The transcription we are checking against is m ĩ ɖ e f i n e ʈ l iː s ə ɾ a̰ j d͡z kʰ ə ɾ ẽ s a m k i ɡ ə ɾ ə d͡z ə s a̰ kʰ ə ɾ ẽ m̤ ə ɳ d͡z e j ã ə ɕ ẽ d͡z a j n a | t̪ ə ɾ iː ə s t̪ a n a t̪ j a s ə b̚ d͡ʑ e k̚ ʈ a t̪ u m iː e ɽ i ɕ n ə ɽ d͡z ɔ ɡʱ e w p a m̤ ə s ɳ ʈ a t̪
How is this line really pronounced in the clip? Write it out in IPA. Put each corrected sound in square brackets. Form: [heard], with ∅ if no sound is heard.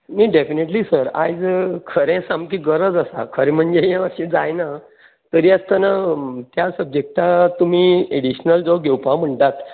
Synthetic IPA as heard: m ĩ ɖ e f i n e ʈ l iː s ə ɾ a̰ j d͡z kʰ ə ɾ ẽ s a m k i ɡ ə ɾ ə d͡z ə s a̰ kʰ ə ɾ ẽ m̤ ə ɳ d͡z e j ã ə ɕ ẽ d͡z a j n a | t̪ ə ɾ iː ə s t̪ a n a t̪ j a s ə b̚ d͡ʑ e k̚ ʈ a t̪ u m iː e ɽ i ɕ n ə [l] d͡z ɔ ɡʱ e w p a m̤ ə [∅] ɳ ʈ a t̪

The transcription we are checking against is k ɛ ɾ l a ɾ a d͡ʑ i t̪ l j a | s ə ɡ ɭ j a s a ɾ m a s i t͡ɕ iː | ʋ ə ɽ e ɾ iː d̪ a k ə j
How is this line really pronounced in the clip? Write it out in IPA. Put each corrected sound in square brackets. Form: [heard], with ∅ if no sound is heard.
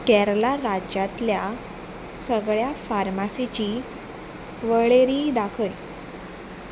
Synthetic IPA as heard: k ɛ ɾ l a ɾ a d͡ʑ [a] t̪ l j a | s ə ɡ ɭ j a [f] a ɾ m a s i t͡ɕ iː | ʋ ə [ɭ] e ɾ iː d̪ a [kʰ] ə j

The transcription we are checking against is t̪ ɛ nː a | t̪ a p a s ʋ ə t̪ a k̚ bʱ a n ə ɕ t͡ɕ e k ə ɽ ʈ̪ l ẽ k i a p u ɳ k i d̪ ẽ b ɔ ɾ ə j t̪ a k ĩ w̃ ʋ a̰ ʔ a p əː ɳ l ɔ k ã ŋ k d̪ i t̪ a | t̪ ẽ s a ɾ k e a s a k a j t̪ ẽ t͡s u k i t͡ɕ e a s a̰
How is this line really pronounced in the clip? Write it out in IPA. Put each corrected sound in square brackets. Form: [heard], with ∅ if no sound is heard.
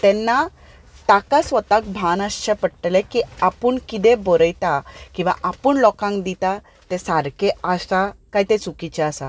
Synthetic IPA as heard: t̪ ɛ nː a | t̪ a [k] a s ʋ ə t̪ a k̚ bʱ a n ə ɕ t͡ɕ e [p] ə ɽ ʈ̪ l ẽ k i a p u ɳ k i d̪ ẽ b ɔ ɾ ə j t̪ a k ĩ w̃ ʋ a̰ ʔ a p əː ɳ l ɔ k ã ŋ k d̪ i t̪ a | t̪ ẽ s a ɾ k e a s a k a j t̪ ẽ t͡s u k i t͡ɕ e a s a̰

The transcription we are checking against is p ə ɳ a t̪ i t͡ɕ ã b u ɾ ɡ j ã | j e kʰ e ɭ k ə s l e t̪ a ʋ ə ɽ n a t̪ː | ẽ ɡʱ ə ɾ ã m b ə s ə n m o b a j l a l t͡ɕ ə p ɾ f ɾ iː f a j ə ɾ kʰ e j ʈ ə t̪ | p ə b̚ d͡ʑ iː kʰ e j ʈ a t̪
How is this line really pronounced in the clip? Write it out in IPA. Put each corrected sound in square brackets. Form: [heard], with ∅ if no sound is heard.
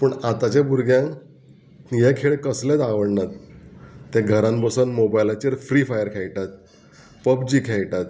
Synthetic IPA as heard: p ə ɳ a t̪ [a] t͡ɕ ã b u ɾ ɡ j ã | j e kʰ e ɭ k ə s l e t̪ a ʋ ə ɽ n a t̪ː | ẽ ɡʱ ə ɾ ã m b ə s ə n m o b a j l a [∅] t͡ɕ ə [∅] ɾ f ɾ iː f a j ə ɾ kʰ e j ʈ [a] t̪ | p ə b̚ d͡ʑ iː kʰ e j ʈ a t̪

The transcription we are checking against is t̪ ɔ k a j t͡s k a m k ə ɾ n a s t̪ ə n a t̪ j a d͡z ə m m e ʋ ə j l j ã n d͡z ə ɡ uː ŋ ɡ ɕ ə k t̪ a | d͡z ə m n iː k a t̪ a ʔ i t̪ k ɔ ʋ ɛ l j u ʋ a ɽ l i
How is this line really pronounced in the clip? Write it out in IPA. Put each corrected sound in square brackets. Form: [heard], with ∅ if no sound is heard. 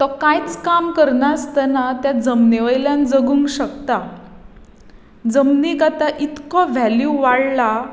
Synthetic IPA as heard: t̪ ɔ k a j t͡s k a m k ə ɾ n a s t̪ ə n a t̪ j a d͡z ə m [n] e ʋ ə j l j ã n d͡z ə ɡ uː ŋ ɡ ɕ ə k t̪ a | d͡z ə m n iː k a t̪ a ʔ i t̪ k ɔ ʋ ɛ l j u ʋ a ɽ l [a]

